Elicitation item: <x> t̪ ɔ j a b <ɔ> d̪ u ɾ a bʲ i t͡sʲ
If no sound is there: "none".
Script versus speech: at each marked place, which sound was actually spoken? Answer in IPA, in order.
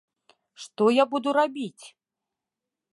ʂ, u

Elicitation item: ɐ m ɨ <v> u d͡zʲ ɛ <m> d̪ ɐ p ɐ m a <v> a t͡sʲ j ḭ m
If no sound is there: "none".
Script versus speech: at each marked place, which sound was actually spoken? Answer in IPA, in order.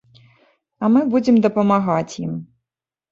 b, m, ɣ

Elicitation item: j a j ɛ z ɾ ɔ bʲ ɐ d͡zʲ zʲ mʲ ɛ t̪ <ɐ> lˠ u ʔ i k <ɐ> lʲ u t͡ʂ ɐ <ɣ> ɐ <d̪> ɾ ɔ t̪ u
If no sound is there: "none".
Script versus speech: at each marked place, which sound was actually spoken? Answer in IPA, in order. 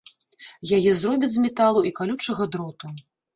a, a, ɣ, d̪

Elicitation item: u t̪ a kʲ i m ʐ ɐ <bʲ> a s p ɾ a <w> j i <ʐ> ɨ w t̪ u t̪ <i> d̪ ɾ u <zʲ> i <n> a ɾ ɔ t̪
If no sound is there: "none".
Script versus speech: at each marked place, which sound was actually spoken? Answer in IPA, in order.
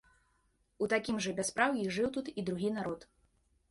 bʲ, w, ʐ, i, ɣʲ, n

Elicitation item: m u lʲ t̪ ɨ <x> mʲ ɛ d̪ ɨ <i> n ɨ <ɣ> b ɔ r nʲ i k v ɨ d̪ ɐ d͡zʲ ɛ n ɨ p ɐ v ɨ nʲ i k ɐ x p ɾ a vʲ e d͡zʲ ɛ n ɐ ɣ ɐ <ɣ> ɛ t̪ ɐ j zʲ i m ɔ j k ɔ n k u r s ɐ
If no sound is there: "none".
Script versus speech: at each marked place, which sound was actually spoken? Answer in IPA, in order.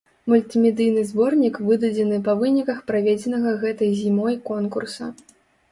none, j, z, ɣ

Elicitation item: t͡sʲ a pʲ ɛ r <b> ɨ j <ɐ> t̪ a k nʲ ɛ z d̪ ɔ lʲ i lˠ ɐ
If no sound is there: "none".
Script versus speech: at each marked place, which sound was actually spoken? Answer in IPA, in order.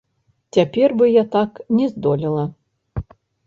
b, a

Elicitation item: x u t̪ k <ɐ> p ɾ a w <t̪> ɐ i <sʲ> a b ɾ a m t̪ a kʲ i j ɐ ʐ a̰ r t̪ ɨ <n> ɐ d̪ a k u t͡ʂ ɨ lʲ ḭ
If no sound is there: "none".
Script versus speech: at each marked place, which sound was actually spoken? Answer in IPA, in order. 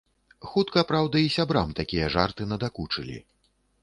ɐ, d̪, sʲ, n

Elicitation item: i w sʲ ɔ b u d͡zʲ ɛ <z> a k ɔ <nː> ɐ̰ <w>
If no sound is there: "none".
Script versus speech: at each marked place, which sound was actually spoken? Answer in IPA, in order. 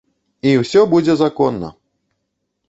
z, nː, none

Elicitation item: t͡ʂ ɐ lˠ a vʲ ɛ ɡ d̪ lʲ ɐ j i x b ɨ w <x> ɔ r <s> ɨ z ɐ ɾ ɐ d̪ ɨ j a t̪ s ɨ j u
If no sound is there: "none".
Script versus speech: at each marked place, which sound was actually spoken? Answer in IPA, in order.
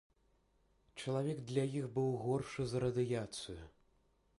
ɣ, ʂ

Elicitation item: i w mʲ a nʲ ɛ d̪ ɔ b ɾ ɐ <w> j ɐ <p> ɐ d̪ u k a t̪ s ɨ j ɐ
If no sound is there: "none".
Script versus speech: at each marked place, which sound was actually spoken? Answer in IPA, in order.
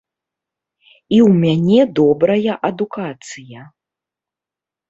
none, ʔ

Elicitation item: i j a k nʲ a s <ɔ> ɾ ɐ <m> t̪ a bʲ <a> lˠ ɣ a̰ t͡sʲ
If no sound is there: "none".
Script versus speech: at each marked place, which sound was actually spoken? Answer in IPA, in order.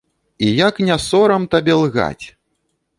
ɔ, m, ɛ

